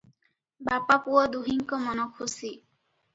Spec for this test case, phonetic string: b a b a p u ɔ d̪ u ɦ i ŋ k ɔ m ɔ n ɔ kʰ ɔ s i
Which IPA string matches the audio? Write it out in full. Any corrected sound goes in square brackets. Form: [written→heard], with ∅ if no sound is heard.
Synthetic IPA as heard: b a [b→p] a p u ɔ d̪ u ɦ i ŋ k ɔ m ɔ n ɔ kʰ [ɔ→u] s i